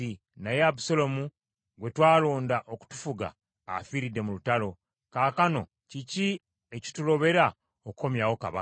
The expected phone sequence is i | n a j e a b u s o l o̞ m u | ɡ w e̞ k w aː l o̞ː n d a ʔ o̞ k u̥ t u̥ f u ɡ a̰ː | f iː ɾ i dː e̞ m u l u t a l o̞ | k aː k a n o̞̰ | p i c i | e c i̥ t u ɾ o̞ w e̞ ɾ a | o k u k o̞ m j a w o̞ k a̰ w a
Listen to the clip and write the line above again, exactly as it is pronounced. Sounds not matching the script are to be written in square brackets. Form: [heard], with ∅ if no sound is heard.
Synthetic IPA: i | n a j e a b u s o l o̞ m u | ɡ w e̞ [t] w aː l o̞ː n d a ʔ o̞ k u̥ t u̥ f u ɡ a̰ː | f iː ɾ i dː e̞ m u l u t a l o̞ | k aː k a n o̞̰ | [c] i c i | e c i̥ t u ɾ o̞ [β] e̞ ɾ a | o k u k o̞ m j a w o̞ k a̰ [β] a